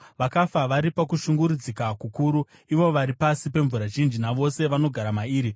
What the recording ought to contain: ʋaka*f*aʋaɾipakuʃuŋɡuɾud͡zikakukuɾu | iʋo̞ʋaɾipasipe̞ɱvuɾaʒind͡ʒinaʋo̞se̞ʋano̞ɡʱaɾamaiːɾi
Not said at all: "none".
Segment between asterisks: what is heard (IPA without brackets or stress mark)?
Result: f